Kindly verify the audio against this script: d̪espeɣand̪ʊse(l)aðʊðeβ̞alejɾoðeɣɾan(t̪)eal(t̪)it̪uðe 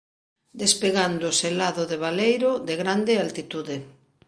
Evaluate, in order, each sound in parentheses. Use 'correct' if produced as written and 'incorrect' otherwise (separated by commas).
correct, incorrect, correct